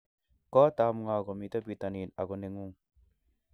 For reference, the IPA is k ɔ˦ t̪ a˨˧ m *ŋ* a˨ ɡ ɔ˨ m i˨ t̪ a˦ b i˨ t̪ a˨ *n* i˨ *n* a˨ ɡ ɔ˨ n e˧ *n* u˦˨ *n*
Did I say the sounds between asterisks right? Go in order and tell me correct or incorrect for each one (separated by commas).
correct, correct, correct, incorrect, incorrect